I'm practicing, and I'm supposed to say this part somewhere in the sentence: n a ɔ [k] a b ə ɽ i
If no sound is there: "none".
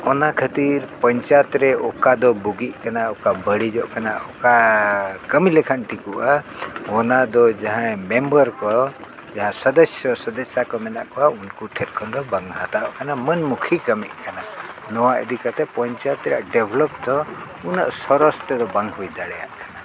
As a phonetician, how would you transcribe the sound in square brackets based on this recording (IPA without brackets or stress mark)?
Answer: k